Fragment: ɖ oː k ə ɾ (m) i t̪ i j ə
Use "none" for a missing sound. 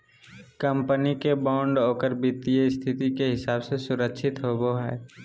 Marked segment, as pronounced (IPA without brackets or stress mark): b